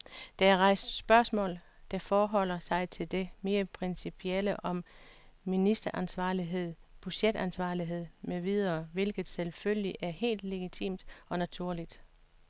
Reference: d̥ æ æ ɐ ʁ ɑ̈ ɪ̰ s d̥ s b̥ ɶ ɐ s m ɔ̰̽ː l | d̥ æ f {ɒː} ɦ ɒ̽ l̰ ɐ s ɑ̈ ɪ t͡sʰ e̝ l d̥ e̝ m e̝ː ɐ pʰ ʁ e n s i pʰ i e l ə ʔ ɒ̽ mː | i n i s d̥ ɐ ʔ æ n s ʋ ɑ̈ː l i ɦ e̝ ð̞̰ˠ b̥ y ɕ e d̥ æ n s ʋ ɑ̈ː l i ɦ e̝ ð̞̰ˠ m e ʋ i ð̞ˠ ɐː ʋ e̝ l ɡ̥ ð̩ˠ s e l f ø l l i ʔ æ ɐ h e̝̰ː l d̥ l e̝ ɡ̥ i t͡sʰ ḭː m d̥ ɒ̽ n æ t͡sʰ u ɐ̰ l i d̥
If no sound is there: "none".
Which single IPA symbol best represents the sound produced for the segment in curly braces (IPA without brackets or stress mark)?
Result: ɒː